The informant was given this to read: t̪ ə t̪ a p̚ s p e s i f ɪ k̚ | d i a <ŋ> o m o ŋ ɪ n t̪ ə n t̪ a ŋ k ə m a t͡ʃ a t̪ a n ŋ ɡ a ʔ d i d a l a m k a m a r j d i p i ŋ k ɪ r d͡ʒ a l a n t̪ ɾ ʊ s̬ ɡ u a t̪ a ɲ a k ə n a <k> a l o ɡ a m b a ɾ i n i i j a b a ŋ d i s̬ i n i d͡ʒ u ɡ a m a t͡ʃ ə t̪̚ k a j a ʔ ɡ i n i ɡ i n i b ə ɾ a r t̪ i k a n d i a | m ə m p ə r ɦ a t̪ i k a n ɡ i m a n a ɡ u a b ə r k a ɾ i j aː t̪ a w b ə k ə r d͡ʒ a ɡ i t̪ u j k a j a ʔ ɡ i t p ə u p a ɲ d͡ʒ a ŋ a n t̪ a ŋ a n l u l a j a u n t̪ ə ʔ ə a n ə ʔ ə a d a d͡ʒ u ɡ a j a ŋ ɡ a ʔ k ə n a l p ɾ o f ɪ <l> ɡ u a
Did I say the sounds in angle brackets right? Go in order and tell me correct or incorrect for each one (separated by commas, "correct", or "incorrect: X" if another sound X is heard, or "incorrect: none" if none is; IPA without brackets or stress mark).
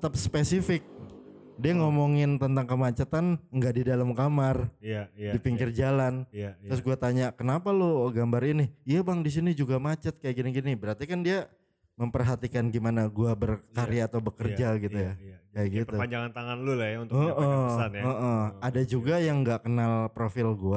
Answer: correct, incorrect: p, correct